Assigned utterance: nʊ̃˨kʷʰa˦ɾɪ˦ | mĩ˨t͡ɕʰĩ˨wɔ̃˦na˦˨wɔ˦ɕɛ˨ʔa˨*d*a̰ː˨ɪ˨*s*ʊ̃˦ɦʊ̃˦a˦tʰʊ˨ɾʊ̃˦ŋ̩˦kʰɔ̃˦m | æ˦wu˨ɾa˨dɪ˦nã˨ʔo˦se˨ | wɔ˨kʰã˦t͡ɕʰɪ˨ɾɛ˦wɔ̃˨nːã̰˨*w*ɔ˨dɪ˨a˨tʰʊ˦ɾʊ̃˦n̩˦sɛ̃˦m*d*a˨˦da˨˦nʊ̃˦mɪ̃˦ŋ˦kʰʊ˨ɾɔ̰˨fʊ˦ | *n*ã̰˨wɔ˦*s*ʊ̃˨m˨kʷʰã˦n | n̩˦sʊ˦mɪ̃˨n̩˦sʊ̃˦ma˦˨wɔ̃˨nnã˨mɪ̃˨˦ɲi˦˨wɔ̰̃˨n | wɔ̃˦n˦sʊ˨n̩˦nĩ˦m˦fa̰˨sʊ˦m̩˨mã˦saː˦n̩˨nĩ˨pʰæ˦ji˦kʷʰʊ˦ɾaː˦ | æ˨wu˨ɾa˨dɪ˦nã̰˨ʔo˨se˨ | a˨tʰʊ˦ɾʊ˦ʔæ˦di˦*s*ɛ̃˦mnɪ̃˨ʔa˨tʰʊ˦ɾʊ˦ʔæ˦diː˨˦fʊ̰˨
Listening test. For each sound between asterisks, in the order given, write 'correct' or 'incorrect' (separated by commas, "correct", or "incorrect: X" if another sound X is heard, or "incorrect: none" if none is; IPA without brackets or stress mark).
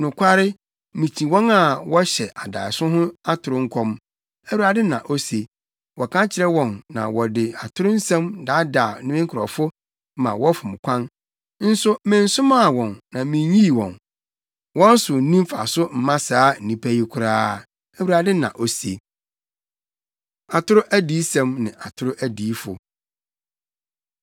correct, correct, correct, correct, incorrect: m, incorrect: f, correct